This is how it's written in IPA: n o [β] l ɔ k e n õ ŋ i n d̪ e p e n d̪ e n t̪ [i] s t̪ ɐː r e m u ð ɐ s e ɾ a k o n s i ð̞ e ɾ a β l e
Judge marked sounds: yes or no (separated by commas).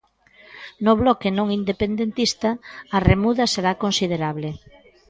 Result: yes, yes